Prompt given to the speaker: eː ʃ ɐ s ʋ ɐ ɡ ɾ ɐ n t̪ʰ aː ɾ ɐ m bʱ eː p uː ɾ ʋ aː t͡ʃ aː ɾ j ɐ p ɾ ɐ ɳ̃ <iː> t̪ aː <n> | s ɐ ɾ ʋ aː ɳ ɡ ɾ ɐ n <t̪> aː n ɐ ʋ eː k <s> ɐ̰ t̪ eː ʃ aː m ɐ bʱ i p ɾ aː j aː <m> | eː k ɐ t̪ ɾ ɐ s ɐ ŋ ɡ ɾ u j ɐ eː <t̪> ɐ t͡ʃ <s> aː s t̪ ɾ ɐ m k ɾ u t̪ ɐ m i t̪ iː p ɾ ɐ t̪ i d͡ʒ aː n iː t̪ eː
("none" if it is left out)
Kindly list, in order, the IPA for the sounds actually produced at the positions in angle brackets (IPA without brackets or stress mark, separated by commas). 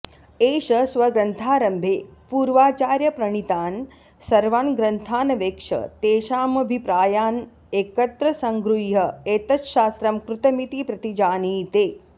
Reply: i, n, t̪ʰ, ʂ, n, t̪, ʃ